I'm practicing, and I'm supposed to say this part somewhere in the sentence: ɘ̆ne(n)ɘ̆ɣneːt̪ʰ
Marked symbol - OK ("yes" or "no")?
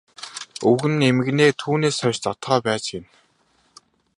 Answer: no